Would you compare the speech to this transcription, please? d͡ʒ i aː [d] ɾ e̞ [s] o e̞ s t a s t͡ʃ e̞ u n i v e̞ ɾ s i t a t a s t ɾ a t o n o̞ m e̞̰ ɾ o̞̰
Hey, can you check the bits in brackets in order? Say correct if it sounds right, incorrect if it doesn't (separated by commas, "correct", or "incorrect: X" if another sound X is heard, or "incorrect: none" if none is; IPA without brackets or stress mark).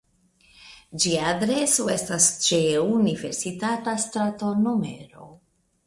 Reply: correct, correct